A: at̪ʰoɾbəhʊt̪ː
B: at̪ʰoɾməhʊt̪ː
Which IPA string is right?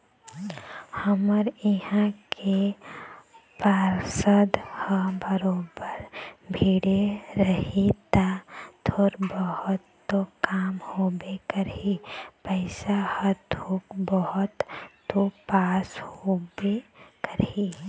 A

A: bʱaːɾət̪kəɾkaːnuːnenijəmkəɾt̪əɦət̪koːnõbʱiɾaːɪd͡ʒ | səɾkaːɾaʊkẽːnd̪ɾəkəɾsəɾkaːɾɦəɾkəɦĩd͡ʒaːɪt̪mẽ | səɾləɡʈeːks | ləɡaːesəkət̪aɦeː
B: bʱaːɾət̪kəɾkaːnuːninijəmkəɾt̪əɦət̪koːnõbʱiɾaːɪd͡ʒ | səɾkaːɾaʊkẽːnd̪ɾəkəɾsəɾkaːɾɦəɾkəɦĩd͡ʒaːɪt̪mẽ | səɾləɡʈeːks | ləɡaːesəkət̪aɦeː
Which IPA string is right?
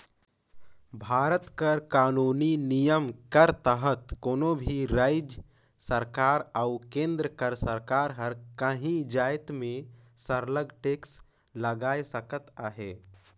B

